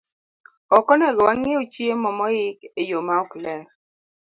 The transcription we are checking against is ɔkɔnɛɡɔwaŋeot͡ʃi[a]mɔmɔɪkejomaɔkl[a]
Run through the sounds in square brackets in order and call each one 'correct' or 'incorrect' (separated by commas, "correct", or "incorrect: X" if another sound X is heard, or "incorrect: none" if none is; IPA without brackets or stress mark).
incorrect: e, incorrect: ɛ